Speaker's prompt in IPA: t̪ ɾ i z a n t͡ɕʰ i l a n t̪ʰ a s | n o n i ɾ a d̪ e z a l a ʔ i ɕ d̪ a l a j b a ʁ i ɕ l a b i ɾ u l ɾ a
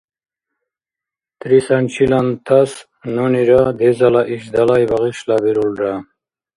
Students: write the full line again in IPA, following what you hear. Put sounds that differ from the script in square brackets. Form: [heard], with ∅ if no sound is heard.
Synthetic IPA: t̪ ɾ i [s] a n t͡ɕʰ i l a n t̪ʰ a s | n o n i ɾ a d̪ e z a l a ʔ i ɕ d̪ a l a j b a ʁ i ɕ l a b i ɾ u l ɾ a

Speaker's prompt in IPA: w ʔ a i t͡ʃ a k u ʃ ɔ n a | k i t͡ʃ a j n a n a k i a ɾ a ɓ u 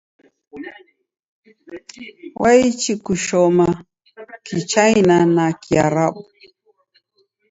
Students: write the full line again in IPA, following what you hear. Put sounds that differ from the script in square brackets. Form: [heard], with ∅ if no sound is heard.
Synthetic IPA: w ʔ a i t͡ʃ [i] k u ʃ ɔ [m] a | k i t͡ʃ a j n a n a k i a ɾ a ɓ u

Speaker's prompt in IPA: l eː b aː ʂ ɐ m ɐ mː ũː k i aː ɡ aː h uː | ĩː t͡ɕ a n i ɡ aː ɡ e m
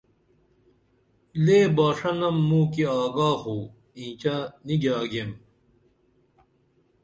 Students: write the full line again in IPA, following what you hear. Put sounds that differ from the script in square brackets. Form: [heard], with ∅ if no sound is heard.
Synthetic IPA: l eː b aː ʂ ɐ [n] ɐ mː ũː k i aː ɡ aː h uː | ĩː t͡ɕ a n i ɡ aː ɡ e m

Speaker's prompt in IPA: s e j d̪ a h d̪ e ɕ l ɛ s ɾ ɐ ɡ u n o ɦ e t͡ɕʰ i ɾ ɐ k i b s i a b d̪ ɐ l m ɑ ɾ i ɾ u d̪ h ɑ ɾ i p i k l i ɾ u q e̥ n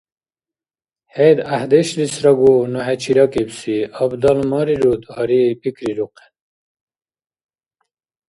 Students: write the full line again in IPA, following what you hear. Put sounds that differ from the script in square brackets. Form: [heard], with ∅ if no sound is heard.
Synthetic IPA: [h] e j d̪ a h d̪ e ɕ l [i] s ɾ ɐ ɡ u n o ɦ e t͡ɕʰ i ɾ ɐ k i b s i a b d̪ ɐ l m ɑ ɾ i ɾ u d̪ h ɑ ɾ i p i k [ɾ] i ɾ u q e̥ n

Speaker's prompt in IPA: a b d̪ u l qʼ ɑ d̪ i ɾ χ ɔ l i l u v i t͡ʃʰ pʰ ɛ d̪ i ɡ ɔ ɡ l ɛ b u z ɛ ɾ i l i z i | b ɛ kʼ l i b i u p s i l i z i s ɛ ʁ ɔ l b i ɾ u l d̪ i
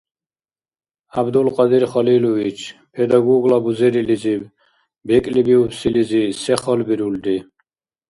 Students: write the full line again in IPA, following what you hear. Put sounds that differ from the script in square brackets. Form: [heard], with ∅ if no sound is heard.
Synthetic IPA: a b d̪ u l qʼ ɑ d̪ i ɾ χ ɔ l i l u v i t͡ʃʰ pʰ ɛ d̪ [a] ɡ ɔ ɡ l [a] b u z ɛ ɾ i l i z i | b ɛ kʼ l i b i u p s i l i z i s ɛ [χ] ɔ l b i ɾ u l d̪ i

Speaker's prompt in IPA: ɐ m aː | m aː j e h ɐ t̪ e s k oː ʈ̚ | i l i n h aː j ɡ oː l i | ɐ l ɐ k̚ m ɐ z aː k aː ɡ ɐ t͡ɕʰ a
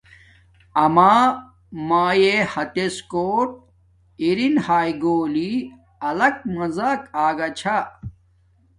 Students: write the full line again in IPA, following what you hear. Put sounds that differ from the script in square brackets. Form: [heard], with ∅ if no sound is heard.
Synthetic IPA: ɐ m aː | m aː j e h ɐ t̪ e s k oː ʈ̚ | i [ɾ] i n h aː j ɡ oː l i | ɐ l ɐ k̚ m ɐ z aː k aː ɡ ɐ t͡ɕʰ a

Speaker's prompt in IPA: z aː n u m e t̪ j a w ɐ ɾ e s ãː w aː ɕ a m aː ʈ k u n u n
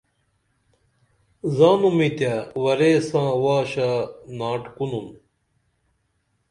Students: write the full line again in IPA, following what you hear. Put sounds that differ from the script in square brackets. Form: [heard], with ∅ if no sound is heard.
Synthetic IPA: z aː n u m [i] t̪ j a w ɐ ɾ e s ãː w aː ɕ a [n] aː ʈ k u n u n

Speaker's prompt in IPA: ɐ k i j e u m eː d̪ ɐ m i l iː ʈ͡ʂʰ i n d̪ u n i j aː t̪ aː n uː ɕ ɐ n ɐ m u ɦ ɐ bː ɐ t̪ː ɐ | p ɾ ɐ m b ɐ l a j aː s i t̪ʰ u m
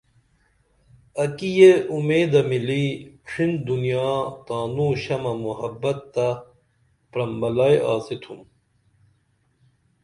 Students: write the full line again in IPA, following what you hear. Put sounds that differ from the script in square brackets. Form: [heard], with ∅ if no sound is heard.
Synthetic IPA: ɐ k i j e u m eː d̪ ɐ m i l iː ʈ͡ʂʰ i n d̪ u n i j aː t̪ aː n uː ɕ ɐ [m] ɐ m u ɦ ɐ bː ɐ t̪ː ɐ | p ɾ ɐ m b ɐ l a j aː s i t̪ʰ u m

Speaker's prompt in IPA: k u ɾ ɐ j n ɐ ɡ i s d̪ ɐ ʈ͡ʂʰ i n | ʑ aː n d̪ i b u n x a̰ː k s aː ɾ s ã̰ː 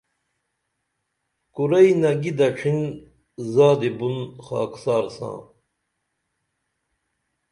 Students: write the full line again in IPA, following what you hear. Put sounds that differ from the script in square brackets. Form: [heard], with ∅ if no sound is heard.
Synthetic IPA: k u ɾ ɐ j n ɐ ɡ i [∅] d̪ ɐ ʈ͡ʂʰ i n | [z] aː [∅] d̪ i b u n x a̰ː k s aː ɾ s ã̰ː

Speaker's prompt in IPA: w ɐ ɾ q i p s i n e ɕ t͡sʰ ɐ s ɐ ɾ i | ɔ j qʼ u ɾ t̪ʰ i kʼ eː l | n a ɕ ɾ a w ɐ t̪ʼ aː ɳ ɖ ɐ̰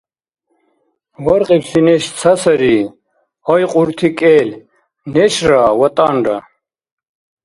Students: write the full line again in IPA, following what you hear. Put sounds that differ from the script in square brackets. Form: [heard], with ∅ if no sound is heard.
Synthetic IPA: w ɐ ɾ q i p s i n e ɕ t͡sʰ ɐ s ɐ ɾ i | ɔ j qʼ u ɾ t̪ʰ i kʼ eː l | n [e] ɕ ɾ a w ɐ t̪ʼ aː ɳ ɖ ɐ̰

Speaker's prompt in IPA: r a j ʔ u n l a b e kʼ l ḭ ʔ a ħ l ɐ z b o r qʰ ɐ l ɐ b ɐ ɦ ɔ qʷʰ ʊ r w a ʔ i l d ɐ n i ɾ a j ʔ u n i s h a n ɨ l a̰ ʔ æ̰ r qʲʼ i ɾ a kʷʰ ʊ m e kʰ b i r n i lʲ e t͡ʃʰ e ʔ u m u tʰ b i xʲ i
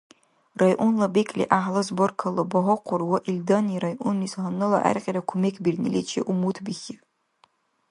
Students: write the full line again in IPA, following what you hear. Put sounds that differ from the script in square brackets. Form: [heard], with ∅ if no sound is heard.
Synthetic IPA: r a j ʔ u n l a b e kʼ l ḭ ʔ a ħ l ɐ z b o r [kʰ] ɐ l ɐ b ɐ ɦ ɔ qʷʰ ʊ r w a ʔ i l d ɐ n i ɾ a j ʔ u n i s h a n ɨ l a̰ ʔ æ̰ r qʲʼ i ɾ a kʷʰ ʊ m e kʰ b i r n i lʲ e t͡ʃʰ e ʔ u m u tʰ b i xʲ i

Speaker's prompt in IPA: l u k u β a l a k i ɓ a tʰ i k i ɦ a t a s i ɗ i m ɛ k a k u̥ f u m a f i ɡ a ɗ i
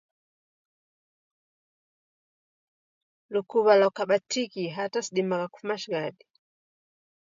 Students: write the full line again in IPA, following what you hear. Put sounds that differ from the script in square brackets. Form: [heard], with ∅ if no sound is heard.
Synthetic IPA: l u k u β a l a k [a] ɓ a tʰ i k i ɦ a t a s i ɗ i m [a] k a k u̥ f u m a [ʃ] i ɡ a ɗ i

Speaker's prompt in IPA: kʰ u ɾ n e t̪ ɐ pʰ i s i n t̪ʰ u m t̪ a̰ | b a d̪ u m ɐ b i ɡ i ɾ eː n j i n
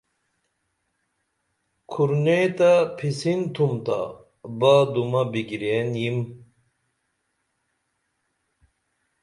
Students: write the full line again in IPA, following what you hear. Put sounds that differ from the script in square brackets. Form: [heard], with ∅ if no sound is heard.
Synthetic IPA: kʰ u ɾ n e t̪ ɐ pʰ i s i n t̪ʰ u m t̪ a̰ | b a d̪ u m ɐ b i ɡ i ɾ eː n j i [m]

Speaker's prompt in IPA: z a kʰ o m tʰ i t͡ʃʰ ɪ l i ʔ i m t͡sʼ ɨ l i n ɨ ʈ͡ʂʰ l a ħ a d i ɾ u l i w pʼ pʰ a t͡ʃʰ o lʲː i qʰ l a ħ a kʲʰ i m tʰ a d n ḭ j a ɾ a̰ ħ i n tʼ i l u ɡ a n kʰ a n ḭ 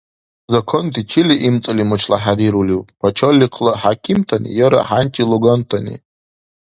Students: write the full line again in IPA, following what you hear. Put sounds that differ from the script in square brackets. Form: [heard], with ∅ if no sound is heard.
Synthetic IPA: z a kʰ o [n] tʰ i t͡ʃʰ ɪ l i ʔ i m t͡sʼ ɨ l i [m] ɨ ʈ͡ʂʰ l a ħ a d i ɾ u l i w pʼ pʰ a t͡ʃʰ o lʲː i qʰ l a ħ a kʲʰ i m tʰ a [∅] n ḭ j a ɾ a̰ ħ [a] n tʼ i l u ɡ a n [tʰ] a n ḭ

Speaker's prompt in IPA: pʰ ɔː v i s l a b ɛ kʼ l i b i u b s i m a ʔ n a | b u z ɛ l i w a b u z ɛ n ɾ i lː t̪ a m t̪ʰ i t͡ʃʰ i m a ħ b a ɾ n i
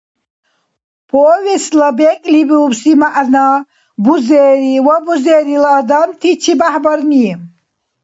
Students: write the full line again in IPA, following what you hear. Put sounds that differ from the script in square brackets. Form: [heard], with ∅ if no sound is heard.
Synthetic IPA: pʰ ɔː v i s l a b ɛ kʼ l i b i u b s i m a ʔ n a | b u z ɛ [ɾ] i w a b u z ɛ [∅] ɾ i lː [d̪] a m t̪ʰ i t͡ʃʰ i [b] a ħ b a ɾ n i

